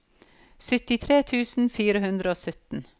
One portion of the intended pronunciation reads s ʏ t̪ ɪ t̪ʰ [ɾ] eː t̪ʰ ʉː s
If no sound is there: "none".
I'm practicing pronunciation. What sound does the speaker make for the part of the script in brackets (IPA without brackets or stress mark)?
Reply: ɾ